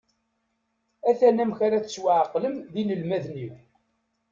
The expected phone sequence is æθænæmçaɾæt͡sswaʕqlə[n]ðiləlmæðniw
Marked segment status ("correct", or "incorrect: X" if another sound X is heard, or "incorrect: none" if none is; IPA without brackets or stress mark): incorrect: m